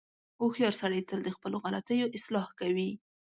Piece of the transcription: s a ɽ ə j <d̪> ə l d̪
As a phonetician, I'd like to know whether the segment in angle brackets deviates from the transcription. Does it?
yes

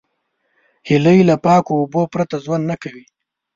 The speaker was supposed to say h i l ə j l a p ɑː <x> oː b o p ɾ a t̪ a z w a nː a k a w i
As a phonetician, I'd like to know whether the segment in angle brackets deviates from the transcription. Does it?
yes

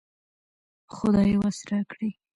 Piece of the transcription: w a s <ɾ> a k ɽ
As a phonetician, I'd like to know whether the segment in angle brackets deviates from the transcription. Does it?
no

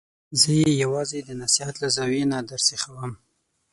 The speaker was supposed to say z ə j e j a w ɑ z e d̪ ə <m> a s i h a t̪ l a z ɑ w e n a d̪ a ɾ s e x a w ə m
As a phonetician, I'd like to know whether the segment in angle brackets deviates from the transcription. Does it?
yes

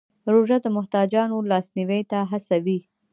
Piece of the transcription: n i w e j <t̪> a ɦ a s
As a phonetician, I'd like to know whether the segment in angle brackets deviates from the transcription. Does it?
no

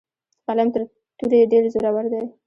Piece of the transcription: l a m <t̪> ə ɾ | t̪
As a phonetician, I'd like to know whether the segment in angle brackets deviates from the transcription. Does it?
no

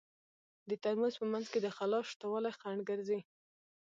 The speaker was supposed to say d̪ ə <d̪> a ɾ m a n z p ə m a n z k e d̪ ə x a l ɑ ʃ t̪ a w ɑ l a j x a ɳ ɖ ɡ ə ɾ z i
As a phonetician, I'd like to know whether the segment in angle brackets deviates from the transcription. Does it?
yes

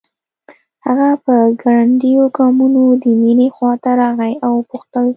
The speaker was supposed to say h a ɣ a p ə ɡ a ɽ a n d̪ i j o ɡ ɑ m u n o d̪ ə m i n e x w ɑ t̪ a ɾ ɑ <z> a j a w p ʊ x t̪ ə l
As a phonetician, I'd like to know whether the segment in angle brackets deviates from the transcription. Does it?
yes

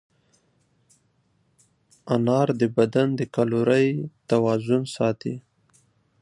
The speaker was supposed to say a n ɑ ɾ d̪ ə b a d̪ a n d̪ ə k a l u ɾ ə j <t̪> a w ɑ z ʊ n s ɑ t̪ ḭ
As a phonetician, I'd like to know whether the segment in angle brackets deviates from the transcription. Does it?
no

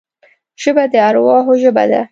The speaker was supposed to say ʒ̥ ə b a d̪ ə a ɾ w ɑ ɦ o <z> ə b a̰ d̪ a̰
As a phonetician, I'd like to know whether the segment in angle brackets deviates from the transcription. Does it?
yes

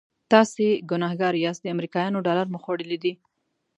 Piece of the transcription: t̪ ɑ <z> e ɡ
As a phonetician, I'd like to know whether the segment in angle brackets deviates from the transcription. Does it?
yes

